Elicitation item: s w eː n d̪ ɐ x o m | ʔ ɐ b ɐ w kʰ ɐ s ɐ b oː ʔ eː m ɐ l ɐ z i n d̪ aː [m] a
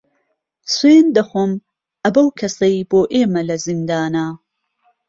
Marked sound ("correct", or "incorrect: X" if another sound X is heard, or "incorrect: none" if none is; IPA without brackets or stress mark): incorrect: n